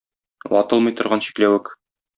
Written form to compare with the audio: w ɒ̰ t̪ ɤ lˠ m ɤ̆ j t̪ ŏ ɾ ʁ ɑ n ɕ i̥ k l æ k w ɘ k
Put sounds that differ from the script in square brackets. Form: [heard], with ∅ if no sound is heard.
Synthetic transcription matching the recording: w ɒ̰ t̪ ɤ lˠ m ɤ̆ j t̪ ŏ ɾ ʁ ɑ n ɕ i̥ k l æ [∅] w ɘ k